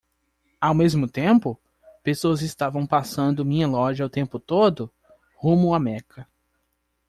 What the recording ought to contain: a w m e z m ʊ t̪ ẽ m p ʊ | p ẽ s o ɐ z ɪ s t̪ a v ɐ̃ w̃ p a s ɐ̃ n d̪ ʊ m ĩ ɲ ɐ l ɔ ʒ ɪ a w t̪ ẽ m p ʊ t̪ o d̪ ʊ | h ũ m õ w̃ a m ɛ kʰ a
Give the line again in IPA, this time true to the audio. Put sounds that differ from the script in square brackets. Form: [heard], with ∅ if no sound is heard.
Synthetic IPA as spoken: a w m e z m ʊ t̪ ẽ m p ʊ | p [e] s o ɐ z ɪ s t̪ a v ɐ̃ w̃ p a s ɐ̃ n d̪ ʊ m ĩ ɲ ɐ l ɔ ʒ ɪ a w t̪ ẽ m p ʊ t̪ o d̪ ʊ | h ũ m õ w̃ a m ɛ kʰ [ɐ]